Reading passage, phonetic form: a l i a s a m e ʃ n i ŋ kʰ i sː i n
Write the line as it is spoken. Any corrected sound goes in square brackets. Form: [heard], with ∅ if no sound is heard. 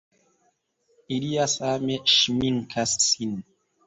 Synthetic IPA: [i] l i a s a m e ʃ [m] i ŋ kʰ [a] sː i n

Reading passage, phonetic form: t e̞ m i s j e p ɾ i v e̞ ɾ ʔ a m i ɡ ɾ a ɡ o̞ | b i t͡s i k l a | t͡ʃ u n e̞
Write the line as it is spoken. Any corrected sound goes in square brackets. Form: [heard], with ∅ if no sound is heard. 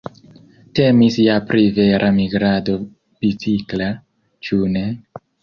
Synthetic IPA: t e̞ m i s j [a] p ɾ i v e̞ ɾ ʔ a m i ɡ ɾ a [d] o̞ | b i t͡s i k l a | t͡ʃ u n e̞

